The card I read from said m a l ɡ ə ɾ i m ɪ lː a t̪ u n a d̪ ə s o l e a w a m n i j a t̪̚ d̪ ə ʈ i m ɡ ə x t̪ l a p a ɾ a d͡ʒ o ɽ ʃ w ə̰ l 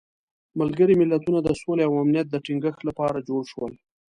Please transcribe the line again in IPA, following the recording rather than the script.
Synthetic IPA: m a l ɡ ə ɾ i m ɪ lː a t̪ u n a d̪ ə s o l e a w a m n i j a t̪̚ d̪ ə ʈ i ŋ ɡ ə x t̪ l a p ɑ ɾ a d͡ʒ o ɽ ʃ w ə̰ l